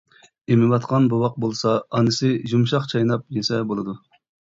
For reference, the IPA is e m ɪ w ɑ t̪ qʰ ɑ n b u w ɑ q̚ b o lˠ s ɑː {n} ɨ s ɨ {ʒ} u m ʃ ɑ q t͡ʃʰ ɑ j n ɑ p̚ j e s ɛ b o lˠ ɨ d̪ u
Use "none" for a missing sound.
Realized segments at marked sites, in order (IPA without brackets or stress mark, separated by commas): n, ʒ